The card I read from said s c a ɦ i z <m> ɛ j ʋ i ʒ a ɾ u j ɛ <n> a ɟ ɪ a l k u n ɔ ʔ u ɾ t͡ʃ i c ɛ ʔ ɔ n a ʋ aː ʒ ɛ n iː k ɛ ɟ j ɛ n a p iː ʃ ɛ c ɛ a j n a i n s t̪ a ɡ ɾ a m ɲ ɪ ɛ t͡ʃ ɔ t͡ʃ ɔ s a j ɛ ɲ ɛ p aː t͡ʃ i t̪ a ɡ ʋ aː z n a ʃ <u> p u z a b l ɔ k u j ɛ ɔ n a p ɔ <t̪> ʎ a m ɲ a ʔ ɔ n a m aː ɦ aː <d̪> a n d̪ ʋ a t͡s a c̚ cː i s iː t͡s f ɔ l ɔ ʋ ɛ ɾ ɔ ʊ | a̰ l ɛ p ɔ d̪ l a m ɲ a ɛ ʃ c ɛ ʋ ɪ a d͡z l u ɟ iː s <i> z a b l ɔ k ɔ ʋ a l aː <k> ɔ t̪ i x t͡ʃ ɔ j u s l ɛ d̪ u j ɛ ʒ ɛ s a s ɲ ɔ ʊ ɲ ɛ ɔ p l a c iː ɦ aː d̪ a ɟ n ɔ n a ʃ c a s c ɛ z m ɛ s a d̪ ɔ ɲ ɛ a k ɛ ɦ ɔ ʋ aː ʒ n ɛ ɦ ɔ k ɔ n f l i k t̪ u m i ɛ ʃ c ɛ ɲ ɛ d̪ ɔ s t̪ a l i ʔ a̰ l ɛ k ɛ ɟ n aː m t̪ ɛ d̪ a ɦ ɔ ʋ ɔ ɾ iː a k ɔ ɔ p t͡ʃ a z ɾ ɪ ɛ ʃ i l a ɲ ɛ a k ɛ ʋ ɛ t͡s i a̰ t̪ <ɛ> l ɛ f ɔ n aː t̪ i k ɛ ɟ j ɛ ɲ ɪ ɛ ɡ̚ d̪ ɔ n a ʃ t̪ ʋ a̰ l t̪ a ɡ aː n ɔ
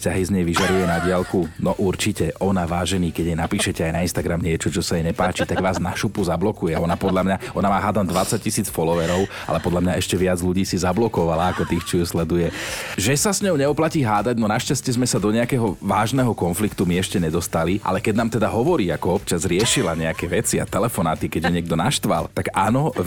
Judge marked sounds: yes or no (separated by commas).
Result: no, yes, yes, no, yes, yes, yes, yes